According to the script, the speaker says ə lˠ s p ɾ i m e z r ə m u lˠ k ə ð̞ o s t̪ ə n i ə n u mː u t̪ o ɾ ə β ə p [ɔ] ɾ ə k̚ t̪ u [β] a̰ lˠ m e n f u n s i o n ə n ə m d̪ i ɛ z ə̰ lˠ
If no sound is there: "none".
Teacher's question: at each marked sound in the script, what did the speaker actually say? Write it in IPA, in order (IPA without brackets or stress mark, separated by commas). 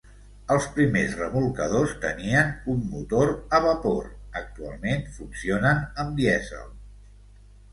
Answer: o, none